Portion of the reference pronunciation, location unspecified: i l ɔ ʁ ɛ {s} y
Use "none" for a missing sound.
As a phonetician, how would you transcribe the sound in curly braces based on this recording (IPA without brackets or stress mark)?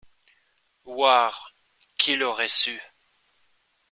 s